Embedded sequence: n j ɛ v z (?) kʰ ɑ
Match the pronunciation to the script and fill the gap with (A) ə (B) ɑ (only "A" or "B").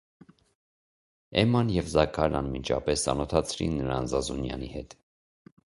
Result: B